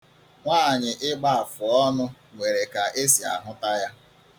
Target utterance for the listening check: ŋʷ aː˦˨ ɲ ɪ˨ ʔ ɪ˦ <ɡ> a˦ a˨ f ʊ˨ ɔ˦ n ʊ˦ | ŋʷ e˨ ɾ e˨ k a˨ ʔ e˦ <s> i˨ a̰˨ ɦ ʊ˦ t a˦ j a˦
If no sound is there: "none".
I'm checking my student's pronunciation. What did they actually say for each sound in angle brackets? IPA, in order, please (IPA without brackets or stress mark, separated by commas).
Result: ɡ͡b, s